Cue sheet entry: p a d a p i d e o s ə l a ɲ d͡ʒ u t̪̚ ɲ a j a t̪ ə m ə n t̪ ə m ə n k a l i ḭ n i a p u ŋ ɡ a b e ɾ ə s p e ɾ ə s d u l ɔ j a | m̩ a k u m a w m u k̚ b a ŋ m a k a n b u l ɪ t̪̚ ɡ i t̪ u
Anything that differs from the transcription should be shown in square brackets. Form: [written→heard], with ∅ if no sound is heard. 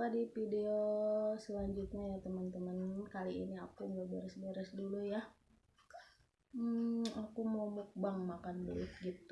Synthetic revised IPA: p a d [a→i] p i d e o s ə l a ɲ d͡ʒ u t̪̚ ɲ a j a t̪ ə m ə n t̪ ə m ə n k a l i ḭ n i a [p→k] u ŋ ɡ a b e ɾ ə s [p→b] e ɾ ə s d u l [ɔ→u] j a | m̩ a k u m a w m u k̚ b a ŋ m a k a n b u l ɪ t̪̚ ɡ i t̪ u